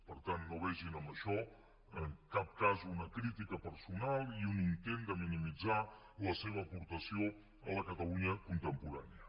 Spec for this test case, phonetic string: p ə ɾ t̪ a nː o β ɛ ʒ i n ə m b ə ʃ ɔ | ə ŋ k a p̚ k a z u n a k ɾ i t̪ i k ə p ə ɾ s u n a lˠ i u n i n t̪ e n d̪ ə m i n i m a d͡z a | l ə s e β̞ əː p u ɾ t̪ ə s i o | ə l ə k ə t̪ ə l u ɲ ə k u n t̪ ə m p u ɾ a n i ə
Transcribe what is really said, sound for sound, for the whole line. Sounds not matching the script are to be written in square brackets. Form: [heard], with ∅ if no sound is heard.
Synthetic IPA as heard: p ə ɾ t̪ a nː o β ɛ ʒ i n ə m b ə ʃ ɔ | ə ŋ k a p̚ k a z u n [ə] k ɾ i t̪ i k ə p ə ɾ s u n a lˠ i u n i n t̪ e n d̪ ə m i n i m [i] d͡z a | l ə s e β̞ əː p u ɾ t̪ ə s i o | ə l ə k ə t̪ ə l u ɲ ə k u n t̪ ə m p u ɾ a n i ə